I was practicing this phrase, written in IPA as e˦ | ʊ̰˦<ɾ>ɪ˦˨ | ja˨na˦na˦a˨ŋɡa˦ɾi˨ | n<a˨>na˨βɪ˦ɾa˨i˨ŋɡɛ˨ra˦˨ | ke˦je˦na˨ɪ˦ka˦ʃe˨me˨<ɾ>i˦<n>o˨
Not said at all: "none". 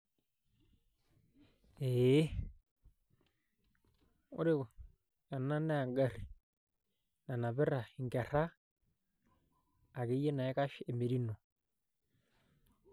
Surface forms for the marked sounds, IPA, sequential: ɾ, a˨, ɾ, n

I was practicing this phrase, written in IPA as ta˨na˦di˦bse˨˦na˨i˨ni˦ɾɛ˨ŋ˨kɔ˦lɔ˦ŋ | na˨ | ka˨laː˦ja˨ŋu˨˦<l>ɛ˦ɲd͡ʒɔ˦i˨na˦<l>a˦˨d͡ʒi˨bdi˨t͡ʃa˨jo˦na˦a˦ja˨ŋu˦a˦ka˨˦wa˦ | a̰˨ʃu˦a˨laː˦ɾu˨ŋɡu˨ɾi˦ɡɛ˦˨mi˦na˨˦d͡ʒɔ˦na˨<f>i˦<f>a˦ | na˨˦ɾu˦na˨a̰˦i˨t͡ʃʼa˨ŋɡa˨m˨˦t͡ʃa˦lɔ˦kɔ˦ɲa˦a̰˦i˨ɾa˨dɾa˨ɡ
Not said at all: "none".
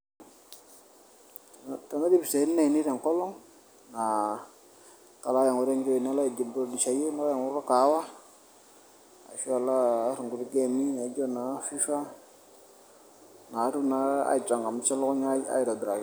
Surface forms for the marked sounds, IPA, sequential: ɾ, l, f, f

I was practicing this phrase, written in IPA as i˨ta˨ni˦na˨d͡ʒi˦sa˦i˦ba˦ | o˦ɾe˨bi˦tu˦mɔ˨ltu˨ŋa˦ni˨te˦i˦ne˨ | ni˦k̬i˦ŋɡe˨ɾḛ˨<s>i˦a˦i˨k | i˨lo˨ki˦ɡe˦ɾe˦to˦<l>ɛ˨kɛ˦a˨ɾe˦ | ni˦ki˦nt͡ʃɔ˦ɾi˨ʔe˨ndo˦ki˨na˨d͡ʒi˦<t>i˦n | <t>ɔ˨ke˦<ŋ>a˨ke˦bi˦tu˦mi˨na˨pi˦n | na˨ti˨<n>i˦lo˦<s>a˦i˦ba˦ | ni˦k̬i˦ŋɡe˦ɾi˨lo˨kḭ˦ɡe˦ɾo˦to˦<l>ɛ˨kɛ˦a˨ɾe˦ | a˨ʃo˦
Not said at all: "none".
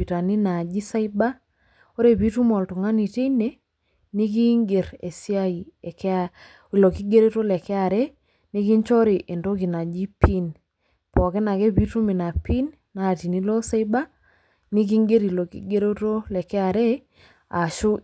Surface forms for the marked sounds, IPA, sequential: s, l, p, p, n, n, s, l

